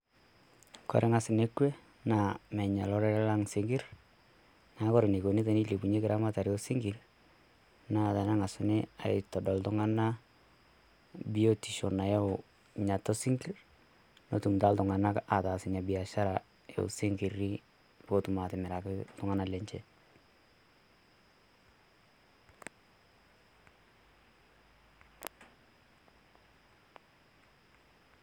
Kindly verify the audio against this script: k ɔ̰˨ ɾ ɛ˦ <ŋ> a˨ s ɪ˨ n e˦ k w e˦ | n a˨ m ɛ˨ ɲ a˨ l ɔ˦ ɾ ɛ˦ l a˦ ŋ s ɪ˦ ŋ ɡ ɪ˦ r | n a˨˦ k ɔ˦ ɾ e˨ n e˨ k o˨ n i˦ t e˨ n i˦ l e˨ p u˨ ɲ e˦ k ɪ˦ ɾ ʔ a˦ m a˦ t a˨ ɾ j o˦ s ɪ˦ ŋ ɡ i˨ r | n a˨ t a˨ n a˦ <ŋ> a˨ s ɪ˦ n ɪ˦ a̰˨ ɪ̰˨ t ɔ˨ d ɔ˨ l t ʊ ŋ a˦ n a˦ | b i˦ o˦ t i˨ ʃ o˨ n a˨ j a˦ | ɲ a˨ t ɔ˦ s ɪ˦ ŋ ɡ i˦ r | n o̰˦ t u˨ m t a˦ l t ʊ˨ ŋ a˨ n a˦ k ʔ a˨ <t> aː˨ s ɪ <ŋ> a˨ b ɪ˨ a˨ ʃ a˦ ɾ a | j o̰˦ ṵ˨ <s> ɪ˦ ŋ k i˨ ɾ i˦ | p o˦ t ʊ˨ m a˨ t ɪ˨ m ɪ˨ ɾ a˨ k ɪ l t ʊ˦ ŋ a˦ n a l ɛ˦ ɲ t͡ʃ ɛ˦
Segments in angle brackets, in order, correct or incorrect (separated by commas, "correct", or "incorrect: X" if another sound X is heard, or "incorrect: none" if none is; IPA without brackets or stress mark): correct, correct, correct, incorrect: ɲ, correct